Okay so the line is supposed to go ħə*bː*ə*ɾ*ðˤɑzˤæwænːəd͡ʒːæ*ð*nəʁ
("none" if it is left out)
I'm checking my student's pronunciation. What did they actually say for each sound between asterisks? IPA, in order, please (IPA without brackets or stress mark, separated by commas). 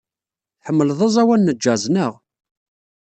mː, l, z